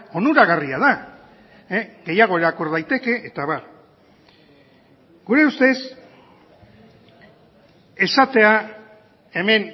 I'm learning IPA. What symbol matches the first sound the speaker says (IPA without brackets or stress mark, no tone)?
o̞